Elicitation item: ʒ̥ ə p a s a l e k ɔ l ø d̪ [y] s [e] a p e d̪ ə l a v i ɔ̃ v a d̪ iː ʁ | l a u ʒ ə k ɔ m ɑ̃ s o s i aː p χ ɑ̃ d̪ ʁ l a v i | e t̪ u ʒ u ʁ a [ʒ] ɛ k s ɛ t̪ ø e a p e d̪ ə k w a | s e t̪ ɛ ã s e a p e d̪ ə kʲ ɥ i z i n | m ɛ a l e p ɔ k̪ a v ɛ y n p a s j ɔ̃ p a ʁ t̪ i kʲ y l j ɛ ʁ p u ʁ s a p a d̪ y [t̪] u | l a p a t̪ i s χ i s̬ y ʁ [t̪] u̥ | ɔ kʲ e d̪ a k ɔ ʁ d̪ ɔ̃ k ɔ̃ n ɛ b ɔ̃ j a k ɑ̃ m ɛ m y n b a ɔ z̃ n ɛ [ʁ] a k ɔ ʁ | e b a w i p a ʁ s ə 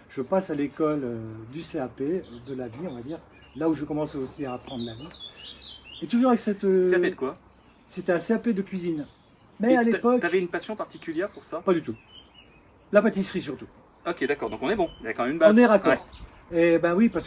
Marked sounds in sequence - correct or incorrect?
correct, correct, incorrect, correct, correct, correct

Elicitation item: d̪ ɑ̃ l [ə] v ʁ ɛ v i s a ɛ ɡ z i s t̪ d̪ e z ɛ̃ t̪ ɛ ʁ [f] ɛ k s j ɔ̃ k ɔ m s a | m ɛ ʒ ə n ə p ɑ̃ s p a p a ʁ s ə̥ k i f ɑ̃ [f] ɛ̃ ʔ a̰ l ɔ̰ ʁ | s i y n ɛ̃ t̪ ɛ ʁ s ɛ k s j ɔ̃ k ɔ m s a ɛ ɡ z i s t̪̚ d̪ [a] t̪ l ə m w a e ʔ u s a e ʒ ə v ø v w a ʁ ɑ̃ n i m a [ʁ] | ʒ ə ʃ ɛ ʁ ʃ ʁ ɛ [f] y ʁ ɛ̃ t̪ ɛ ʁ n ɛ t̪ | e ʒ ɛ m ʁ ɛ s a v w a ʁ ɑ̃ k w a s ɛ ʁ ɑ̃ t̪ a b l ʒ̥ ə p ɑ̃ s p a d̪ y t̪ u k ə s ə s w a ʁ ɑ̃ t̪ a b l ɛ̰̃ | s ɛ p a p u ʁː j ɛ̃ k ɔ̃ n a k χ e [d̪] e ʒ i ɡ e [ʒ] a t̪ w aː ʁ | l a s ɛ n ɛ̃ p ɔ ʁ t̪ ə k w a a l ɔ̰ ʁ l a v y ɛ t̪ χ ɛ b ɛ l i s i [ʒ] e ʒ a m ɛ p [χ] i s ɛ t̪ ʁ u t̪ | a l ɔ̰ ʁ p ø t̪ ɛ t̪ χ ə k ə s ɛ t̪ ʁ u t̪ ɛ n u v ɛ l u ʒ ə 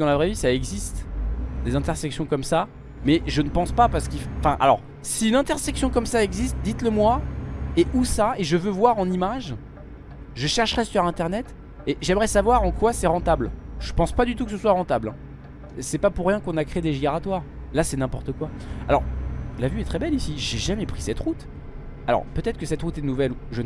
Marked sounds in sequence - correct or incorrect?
incorrect, incorrect, correct, incorrect, incorrect, incorrect, correct, incorrect, correct, correct

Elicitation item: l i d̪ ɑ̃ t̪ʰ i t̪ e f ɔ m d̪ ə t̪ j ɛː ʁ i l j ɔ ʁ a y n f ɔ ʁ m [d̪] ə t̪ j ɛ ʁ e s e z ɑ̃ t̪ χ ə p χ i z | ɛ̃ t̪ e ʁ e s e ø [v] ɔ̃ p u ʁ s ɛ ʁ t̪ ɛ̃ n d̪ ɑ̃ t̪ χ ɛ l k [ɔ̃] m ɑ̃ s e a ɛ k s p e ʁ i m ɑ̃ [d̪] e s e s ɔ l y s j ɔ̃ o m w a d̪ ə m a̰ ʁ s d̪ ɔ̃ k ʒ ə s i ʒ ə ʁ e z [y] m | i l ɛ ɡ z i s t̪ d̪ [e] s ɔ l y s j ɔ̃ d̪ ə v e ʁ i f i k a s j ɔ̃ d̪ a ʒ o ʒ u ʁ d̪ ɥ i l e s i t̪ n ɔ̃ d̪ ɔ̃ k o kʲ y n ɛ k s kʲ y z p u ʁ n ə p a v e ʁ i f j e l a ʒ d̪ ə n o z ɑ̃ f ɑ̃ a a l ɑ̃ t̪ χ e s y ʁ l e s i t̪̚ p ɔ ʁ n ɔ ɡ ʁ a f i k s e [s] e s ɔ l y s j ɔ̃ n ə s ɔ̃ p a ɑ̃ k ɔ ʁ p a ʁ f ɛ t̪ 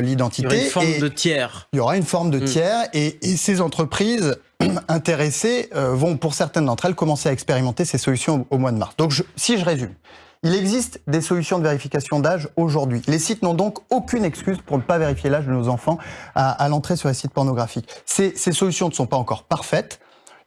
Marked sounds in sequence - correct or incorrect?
correct, correct, incorrect, incorrect, correct, correct, correct

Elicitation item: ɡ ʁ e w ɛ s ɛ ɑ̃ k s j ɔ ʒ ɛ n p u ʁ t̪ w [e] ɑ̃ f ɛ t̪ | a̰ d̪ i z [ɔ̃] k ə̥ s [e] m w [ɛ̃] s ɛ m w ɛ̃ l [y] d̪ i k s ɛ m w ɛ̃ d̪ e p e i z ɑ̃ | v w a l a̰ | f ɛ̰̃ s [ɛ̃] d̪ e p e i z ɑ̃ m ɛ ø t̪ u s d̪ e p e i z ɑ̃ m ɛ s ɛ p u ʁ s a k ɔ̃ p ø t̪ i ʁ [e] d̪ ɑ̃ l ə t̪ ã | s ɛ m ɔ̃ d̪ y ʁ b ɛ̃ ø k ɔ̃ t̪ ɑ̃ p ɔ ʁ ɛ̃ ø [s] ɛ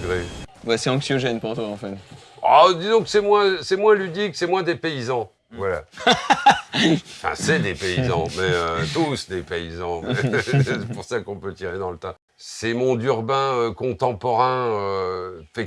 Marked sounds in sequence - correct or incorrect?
incorrect, correct, incorrect, correct, correct, incorrect, correct, incorrect

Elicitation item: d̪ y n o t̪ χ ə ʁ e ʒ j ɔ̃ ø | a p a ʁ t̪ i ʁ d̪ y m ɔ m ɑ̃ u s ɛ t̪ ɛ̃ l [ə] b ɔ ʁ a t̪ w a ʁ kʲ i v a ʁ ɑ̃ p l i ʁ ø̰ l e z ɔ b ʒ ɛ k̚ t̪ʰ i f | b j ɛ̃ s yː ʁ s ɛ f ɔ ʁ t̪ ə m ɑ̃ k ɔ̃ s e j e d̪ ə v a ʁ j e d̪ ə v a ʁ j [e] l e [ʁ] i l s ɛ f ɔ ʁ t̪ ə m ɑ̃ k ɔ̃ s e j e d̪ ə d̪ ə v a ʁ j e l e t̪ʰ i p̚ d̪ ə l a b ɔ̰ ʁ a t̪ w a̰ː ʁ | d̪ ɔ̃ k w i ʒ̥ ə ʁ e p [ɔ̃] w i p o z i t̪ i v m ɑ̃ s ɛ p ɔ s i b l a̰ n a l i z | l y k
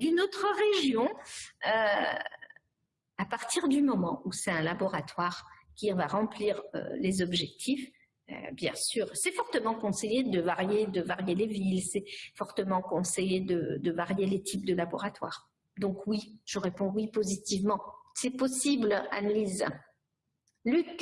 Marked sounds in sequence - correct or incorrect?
incorrect, correct, incorrect, correct

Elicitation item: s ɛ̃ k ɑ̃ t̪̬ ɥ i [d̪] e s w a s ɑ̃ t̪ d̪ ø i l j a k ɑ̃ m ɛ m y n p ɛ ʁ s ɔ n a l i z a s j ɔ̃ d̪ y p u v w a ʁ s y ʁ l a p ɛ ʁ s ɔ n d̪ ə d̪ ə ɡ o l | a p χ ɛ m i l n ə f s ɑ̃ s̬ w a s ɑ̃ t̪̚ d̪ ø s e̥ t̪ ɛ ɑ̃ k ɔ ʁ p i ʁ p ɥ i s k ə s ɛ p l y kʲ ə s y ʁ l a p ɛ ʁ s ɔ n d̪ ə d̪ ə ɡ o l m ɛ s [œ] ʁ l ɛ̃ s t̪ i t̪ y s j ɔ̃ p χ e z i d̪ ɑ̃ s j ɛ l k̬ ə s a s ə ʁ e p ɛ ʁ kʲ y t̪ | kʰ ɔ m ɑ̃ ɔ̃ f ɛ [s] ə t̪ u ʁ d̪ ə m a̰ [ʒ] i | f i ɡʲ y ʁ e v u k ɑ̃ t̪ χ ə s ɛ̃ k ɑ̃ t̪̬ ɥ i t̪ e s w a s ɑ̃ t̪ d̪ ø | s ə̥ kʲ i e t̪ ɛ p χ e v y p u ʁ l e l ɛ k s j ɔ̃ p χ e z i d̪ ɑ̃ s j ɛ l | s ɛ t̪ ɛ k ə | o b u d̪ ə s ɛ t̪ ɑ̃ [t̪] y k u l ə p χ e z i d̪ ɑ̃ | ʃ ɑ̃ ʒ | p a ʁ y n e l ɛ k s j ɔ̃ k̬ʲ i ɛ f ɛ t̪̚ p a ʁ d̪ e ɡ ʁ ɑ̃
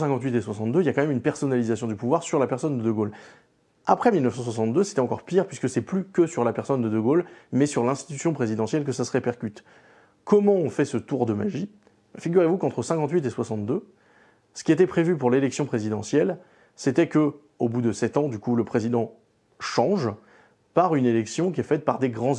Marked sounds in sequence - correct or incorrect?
incorrect, incorrect, correct, correct, incorrect

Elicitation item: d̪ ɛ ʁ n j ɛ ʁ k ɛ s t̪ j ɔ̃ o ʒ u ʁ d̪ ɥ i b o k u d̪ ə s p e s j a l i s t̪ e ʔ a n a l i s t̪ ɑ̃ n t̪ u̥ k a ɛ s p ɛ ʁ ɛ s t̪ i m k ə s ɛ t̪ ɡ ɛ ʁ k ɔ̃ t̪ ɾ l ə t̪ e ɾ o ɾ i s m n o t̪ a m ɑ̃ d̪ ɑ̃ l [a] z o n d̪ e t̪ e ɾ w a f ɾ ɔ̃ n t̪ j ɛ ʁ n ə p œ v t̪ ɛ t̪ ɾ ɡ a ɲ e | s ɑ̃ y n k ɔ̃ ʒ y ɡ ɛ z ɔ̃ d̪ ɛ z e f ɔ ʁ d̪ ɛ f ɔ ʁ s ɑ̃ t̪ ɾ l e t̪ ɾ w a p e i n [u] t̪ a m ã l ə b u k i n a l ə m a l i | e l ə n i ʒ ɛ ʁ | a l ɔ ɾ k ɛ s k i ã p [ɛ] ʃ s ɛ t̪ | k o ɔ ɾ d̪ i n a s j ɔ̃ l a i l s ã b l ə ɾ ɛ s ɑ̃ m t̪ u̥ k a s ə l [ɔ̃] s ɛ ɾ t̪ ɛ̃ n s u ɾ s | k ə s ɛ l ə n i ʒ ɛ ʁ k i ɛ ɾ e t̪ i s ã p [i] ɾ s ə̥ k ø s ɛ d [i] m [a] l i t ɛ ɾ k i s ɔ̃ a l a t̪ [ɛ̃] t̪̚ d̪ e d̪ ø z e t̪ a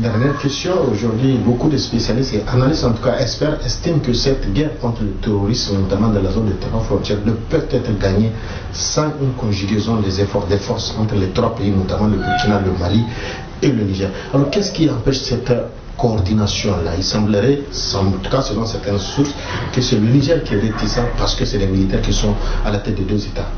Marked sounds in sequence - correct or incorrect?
correct, incorrect, correct, correct, incorrect, incorrect, incorrect, incorrect

